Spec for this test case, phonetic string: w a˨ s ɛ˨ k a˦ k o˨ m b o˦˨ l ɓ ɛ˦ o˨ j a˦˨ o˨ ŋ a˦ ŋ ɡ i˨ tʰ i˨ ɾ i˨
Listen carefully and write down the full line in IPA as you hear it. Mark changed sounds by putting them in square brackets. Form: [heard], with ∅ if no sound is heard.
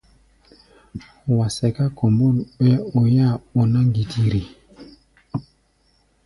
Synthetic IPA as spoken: w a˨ s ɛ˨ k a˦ k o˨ m b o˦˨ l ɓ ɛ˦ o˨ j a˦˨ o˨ [n] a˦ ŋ ɡ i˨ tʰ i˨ ɾ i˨